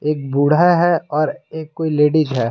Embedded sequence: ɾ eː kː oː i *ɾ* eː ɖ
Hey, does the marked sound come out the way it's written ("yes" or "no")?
no